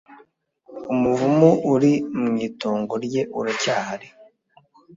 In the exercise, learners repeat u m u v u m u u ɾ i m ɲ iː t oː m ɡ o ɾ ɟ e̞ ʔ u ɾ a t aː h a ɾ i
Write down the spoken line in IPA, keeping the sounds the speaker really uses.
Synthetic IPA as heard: u m u v u m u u ɾ i m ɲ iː t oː ŋ ɡ o ɾ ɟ e̞ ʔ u ɾ a c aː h a ɾ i